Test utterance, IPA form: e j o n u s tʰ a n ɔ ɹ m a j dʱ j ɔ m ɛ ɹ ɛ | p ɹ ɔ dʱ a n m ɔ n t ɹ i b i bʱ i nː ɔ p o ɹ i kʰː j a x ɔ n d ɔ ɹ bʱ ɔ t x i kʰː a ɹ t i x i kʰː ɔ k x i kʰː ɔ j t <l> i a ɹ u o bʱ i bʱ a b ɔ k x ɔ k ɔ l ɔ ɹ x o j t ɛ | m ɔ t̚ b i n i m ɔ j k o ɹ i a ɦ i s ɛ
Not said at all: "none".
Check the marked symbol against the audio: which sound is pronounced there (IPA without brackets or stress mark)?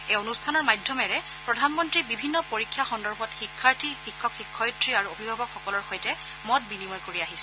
ɹ